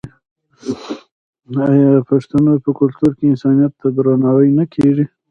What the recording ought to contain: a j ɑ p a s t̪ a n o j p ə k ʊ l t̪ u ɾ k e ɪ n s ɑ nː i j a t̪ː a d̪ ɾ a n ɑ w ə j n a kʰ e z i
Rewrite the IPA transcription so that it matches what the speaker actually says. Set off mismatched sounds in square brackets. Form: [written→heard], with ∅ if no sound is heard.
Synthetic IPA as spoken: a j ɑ p a [s→ʂ] t̪ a n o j p ə k ʊ l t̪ u ɾ k e ɪ n s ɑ [nː→n] i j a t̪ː a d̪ ɾ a n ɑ w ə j n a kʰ e [z→ʐ] i